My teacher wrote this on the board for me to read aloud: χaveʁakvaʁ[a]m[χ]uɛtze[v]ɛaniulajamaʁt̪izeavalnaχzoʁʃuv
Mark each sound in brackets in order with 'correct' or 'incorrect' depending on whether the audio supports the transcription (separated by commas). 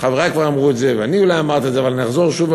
correct, incorrect, correct